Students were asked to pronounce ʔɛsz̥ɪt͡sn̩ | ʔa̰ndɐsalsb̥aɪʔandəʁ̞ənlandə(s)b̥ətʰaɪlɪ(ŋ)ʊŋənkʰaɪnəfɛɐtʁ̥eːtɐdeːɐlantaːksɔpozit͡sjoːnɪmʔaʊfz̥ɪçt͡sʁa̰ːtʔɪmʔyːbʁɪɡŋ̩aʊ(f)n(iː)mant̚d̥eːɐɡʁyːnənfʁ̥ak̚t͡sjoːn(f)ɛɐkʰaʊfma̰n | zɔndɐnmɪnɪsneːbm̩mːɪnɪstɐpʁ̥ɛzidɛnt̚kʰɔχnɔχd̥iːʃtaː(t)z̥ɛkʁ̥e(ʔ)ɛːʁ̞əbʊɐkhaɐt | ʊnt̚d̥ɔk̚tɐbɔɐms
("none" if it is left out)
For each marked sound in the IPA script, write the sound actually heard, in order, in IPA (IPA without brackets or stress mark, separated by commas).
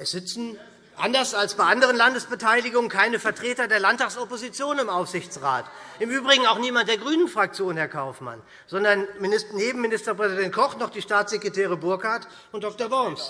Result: s, ɡ, x, iː, h, t͡s, t